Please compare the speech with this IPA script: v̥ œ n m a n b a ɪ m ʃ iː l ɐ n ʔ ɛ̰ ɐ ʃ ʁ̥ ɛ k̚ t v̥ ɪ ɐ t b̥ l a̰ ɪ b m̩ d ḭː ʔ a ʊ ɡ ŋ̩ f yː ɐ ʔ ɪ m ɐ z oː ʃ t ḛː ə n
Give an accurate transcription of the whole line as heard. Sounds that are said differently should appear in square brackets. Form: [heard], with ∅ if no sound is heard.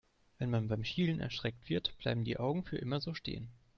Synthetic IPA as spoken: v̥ [ɛ] n m a n b a ɪ m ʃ iː l [ə] n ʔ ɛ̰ ɐ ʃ ʁ̥ ɛ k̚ t v̥ ɪ ɐ t b̥ l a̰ ɪ b m̩ d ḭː ʔ a ʊ ɡ ŋ̩ f yː ɐ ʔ ɪ m ɐ z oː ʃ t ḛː ə n